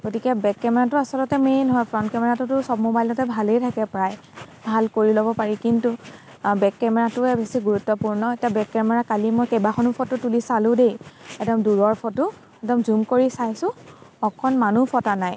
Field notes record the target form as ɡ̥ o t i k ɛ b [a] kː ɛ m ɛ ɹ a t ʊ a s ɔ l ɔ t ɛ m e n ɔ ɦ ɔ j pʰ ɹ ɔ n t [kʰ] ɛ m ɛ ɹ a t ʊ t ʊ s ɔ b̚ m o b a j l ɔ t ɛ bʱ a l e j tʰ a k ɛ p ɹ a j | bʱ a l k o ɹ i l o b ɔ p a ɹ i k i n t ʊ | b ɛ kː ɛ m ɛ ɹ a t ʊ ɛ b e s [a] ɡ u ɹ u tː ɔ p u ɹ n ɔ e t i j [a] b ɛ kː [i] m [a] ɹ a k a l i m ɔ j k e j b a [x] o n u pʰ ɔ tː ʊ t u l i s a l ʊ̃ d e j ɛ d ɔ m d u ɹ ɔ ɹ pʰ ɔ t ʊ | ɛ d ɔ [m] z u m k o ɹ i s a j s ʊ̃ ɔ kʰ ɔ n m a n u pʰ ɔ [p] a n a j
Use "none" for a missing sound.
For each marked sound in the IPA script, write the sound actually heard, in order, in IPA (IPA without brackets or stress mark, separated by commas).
ɛ, k, i, a, ɛ, ɛ, x, m, t